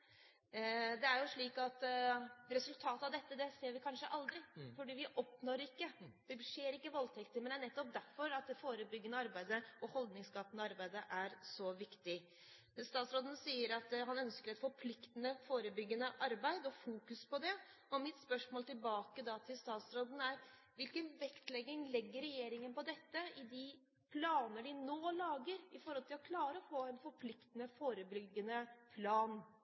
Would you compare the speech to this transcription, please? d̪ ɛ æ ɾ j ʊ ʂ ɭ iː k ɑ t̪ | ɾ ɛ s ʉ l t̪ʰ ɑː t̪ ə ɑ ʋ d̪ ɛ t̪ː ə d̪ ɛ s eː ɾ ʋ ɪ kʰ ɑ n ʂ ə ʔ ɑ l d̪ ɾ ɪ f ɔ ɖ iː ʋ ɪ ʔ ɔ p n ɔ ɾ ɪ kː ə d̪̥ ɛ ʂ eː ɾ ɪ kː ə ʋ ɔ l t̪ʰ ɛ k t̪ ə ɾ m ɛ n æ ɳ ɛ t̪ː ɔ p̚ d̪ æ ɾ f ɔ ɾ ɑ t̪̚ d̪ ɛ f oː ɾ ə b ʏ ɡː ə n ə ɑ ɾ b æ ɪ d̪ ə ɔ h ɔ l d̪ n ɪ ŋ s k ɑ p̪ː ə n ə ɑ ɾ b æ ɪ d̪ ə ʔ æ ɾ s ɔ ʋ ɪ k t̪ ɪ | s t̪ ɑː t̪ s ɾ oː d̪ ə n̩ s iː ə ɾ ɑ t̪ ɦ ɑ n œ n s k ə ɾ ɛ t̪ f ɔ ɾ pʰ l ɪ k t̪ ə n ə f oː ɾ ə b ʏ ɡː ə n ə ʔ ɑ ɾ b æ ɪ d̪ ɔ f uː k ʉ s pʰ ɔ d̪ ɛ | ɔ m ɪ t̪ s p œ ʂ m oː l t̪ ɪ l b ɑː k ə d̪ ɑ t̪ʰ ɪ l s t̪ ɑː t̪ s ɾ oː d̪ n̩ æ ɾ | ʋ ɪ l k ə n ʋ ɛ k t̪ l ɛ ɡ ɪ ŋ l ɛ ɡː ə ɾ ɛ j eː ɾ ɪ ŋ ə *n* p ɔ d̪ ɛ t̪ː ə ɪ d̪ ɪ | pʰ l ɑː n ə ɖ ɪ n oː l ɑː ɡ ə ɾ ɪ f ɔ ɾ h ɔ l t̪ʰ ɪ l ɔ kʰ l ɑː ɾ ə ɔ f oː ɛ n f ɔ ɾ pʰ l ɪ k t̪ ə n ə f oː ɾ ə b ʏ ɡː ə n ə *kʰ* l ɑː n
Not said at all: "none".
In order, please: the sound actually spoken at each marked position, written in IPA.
n, pʰ

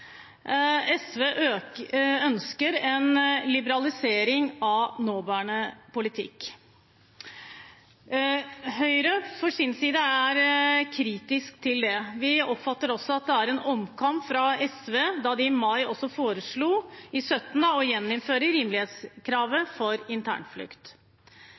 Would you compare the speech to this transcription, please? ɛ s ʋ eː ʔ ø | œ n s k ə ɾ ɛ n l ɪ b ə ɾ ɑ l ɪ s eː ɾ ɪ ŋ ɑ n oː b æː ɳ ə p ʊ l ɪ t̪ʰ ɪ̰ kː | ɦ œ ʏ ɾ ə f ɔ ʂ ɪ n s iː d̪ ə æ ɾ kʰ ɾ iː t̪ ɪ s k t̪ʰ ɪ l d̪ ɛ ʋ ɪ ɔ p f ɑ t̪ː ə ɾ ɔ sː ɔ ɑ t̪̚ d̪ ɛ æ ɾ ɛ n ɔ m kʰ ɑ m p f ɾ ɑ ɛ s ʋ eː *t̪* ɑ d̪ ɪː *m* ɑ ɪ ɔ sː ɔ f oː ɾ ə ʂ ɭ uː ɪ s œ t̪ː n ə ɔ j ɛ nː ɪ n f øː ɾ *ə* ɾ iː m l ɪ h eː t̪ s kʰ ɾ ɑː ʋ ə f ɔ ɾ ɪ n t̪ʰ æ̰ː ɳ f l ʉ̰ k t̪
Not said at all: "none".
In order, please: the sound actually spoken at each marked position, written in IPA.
d̪, m, ə

